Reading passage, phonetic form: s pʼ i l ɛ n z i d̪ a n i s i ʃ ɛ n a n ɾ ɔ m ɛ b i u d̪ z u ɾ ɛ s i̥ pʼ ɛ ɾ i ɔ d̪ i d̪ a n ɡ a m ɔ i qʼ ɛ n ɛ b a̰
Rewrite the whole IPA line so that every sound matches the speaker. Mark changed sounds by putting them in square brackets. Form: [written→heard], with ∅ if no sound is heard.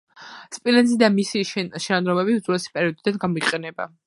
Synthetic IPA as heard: s pʼ i l ɛ n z i d̪ a [n→m] i s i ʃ ɛ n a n ɾ ɔ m ɛ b i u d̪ z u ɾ ɛ s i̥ pʼ ɛ ɾ i ɔ d̪ i d̪ a n ɡ a m ɔ i qʼ ɛ n ɛ b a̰